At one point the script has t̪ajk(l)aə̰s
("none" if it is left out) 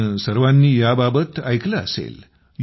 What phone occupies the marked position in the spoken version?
l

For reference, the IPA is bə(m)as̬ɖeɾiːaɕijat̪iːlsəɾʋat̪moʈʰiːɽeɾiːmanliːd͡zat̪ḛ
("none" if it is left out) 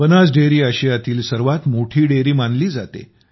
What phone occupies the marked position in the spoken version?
n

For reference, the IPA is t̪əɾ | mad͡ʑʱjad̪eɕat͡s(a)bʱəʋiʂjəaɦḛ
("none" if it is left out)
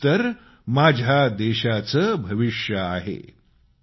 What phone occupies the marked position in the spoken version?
ə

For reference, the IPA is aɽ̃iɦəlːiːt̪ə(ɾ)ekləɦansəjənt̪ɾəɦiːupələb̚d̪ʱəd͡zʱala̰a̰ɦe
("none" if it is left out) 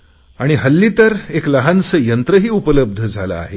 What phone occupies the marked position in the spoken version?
ɾ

